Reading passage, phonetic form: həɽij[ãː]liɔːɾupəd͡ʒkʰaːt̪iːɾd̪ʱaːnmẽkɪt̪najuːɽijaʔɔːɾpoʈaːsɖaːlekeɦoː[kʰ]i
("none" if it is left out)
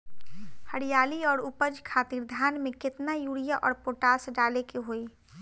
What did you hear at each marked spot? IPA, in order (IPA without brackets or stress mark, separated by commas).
aː, none